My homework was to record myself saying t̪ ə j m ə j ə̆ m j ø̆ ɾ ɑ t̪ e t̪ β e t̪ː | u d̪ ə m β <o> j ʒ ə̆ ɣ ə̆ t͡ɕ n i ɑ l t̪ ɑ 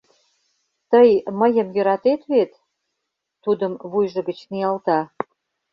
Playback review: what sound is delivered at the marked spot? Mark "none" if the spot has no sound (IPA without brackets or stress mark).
u